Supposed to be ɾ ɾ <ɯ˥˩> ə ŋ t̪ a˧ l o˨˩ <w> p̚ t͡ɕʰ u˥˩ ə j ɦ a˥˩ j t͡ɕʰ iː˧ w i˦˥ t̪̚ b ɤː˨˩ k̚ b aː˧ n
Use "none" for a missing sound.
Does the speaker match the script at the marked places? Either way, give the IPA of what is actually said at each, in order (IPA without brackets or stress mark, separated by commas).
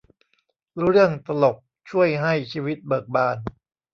ɯ˥˩, none